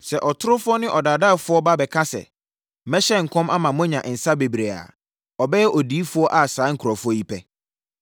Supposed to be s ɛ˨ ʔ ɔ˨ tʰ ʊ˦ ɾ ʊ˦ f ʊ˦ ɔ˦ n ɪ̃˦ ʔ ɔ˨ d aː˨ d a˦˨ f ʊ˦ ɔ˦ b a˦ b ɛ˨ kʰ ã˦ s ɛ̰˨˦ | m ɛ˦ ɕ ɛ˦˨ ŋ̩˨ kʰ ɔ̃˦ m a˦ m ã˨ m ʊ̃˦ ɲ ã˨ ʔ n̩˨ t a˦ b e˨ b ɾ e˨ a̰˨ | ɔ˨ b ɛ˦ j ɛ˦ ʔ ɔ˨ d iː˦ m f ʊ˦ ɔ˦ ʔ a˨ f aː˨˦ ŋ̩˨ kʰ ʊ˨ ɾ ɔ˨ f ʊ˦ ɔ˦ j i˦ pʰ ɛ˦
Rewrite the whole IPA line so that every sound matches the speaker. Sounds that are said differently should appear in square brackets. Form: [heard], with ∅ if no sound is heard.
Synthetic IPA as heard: s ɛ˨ ʔ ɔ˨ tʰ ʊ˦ ɾ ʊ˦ f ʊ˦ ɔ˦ n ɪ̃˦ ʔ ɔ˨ d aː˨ d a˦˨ f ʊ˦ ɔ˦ b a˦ b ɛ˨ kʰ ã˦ s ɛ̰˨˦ | m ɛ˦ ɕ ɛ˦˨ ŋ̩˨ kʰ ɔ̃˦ m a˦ m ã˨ m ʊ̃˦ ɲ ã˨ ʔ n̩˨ [s] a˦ b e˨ b ɾ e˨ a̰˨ | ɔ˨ b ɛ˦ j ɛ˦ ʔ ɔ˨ d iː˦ [∅] f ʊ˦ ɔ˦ ʔ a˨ [s] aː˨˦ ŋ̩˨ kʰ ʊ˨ ɾ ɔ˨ f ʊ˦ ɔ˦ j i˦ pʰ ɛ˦